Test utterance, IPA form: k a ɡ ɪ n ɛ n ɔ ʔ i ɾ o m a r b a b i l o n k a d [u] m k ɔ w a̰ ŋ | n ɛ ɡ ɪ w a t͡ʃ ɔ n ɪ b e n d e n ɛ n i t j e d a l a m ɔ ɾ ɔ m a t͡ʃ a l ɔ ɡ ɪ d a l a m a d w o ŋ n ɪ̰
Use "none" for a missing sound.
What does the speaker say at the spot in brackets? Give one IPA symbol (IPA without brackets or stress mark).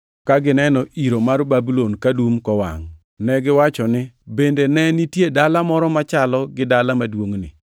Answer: u